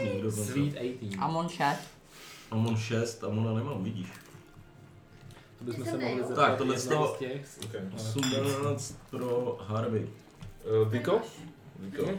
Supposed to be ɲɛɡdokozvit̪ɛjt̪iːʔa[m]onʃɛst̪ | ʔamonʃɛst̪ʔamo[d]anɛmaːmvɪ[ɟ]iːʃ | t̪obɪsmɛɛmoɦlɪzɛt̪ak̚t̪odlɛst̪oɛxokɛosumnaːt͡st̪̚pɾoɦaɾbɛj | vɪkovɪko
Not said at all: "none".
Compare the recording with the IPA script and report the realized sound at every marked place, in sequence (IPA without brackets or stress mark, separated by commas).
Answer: m, n, ɟ